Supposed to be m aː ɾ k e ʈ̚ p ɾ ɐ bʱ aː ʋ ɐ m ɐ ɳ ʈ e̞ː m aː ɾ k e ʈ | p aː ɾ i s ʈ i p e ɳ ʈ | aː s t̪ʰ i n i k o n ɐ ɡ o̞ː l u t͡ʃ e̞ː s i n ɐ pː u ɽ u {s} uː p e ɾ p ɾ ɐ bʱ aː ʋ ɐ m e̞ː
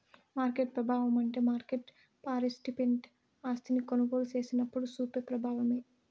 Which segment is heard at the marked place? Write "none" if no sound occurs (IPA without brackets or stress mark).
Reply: s